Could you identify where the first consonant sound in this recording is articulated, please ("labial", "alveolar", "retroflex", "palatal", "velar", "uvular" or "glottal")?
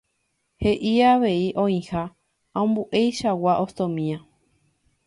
glottal